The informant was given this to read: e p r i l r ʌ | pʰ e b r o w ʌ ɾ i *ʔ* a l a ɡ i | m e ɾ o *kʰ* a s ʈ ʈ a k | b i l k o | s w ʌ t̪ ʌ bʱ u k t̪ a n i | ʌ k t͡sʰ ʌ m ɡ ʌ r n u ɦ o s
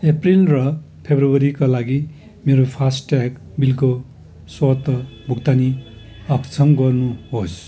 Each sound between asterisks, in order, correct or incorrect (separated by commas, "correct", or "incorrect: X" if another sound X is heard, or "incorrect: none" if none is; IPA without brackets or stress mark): incorrect: k, incorrect: pʰ